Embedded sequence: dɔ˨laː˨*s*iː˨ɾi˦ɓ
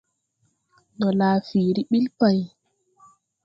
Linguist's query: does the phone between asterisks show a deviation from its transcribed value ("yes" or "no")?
yes